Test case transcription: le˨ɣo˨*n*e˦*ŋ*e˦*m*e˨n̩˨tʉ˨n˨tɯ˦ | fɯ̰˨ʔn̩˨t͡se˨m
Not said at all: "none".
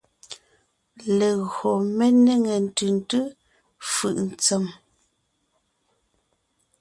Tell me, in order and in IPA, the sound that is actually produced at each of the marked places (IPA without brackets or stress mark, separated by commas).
m, n, ŋ